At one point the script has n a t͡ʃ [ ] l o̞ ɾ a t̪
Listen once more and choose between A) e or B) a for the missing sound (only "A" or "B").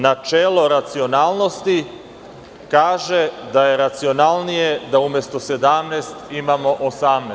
A